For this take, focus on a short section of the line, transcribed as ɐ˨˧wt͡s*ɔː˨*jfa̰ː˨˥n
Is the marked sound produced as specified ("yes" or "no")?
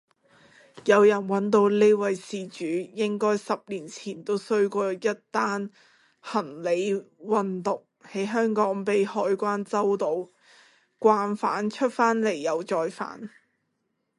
yes